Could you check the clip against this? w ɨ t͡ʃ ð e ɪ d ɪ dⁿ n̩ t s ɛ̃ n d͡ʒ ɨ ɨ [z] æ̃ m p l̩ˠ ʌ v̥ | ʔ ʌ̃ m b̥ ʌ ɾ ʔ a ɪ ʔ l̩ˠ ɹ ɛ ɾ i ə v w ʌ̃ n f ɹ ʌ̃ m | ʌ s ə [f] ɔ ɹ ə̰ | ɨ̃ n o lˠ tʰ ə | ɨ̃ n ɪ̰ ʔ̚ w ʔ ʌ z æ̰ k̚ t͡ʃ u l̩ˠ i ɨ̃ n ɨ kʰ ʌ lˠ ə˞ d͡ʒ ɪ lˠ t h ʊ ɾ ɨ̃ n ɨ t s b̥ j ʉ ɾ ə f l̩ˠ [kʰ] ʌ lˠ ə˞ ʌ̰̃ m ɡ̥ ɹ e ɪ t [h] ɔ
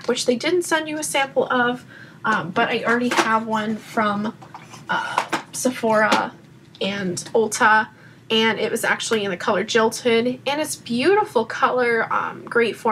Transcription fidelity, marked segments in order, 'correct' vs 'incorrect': incorrect: s, correct, correct, incorrect: f

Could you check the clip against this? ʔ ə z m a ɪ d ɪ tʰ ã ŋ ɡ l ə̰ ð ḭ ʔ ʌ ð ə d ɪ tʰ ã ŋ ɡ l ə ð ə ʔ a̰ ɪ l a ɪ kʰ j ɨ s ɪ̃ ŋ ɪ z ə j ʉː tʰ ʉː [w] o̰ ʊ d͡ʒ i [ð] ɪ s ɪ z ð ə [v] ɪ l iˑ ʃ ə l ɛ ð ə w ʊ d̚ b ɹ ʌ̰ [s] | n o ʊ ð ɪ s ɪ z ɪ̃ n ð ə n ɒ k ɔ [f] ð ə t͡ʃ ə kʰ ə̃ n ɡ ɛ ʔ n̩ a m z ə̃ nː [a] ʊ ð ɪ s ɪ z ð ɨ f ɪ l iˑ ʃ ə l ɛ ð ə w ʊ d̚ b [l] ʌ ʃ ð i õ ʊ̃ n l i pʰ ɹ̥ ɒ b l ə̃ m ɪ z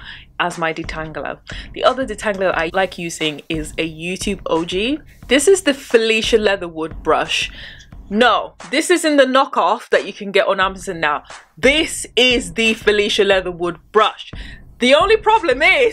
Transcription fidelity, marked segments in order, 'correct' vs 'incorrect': incorrect: b, correct, incorrect: f, incorrect: ʃ, correct, correct, incorrect: ɹ

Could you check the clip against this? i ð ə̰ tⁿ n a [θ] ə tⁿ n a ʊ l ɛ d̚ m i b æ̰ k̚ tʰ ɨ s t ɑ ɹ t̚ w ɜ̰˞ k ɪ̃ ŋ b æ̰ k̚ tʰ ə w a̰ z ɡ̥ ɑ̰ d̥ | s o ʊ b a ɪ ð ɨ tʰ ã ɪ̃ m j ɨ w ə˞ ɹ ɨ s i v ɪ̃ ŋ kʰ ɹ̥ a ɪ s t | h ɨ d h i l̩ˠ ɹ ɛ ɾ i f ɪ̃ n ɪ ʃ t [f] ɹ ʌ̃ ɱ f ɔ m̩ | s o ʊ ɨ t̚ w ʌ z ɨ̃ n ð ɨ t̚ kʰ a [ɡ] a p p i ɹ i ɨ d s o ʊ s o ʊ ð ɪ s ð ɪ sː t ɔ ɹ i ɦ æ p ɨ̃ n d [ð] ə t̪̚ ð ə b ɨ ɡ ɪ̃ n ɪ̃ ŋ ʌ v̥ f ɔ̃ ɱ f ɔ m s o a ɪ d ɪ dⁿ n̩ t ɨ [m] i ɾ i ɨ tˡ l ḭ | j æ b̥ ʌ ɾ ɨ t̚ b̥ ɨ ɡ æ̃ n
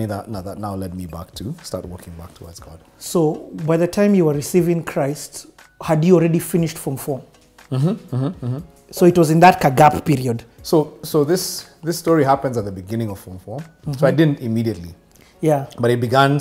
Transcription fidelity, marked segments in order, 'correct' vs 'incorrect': incorrect: ð, correct, correct, incorrect: z, correct

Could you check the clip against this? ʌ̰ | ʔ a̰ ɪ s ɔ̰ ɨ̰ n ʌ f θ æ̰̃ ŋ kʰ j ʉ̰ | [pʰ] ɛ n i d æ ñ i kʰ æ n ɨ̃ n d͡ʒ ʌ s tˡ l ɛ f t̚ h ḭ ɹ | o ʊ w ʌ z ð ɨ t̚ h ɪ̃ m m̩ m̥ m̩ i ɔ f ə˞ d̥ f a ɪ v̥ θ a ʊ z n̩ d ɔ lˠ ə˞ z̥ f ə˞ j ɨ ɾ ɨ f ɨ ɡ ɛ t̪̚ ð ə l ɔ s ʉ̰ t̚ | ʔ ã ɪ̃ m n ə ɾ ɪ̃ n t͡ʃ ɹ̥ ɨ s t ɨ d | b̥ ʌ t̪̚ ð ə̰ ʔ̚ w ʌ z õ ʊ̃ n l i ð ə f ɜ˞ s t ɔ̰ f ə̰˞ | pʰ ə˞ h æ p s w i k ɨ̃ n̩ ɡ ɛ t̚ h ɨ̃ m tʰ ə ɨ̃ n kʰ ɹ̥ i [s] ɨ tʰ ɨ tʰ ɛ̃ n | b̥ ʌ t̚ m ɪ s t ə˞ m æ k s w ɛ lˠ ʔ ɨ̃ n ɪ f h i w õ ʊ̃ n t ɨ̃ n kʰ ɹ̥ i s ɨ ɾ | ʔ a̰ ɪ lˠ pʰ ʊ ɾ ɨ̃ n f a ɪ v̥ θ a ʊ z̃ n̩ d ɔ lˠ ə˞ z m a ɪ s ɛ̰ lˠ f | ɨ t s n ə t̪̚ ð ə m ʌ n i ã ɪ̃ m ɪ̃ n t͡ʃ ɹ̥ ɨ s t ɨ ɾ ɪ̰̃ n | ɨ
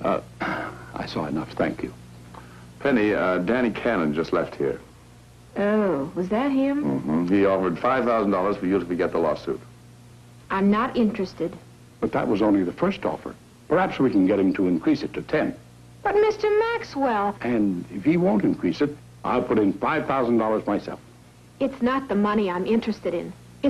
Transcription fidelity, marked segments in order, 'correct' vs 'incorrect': correct, correct

